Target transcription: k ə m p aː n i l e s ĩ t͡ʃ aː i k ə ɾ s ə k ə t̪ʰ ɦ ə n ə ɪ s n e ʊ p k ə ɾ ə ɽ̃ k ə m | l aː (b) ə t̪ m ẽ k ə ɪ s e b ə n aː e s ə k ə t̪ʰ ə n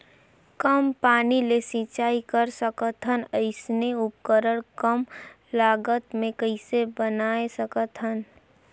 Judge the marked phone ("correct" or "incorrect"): incorrect